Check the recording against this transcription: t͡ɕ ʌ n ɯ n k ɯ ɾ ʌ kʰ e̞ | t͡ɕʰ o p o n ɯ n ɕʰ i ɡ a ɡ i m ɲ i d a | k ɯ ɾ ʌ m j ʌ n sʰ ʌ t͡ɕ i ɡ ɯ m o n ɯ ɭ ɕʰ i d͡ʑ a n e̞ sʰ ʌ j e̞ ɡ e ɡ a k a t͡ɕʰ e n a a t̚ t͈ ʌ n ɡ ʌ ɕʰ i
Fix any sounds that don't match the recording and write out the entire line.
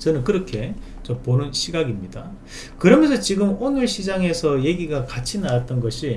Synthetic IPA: t͡ɕ ʌ n ɯ n k ɯ ɾ ʌ kʰ e̞ | t͡ɕ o p o n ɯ n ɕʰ i ɡ a ɡ i m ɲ i d a | k ɯ ɾ ʌ m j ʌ n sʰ ʌ t͡ɕ i ɡ ɯ m o n ɯ ɭ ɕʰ i d͡ʑ a ŋ e̞ sʰ ʌ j e̞ ɡ i ɡ a k a t͡ɕʰ i n a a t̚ t͈ ʌ n ɡ ʌ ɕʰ i